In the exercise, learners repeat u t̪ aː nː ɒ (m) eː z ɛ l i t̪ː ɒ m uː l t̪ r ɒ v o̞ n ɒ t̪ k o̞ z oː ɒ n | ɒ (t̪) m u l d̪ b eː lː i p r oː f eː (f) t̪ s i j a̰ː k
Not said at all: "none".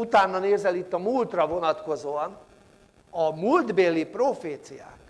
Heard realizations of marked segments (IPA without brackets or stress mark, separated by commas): n, none, none